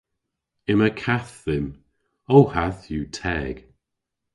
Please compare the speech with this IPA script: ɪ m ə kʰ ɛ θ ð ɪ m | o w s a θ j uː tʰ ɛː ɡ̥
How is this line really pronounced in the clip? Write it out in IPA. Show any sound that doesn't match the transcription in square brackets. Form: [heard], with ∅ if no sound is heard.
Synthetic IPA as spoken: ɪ m ə kʰ [a] θ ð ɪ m | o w [h] a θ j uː tʰ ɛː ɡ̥